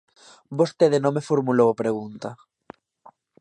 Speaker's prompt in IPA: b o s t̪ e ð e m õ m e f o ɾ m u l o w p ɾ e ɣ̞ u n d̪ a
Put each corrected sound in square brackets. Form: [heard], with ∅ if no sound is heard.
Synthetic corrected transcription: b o s t̪ e ð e [n] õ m e f o ɾ m u l o w p ɾ e ɣ̞ u n [t̪] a

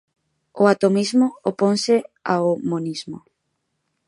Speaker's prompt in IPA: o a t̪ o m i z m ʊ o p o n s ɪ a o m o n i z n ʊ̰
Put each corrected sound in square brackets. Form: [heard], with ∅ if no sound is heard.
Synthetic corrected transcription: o a t̪ o m i z m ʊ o p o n s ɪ a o m o n i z [m] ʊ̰

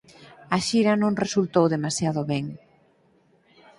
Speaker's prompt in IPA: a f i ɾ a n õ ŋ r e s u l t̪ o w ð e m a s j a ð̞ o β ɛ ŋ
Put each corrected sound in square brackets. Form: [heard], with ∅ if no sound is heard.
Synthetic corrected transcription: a [ʃ] i ɾ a n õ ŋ r e s u l t̪ o w ð e m a s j a ð̞ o β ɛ ŋ

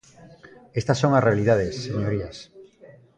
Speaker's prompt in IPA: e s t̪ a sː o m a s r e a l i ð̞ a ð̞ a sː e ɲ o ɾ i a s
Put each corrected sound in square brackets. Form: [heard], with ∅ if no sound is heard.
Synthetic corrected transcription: e s t̪ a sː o [ŋ] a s r e a l i ð̞ a ð̞ [e] sː e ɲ o ɾ i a s

